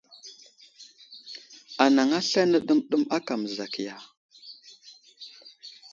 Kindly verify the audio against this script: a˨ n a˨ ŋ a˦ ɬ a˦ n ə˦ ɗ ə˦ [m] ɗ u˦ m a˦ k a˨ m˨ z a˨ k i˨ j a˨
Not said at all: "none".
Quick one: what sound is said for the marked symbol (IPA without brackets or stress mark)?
m